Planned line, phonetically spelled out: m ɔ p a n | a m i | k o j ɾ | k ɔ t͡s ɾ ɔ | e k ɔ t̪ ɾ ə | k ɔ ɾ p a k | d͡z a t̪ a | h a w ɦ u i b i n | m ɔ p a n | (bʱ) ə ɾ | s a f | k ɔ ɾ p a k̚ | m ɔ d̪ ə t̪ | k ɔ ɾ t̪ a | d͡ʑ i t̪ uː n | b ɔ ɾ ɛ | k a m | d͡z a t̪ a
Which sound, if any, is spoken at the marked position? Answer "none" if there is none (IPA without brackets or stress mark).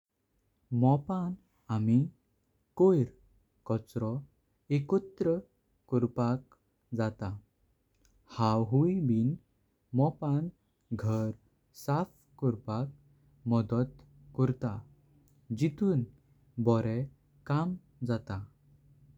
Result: ɡʱ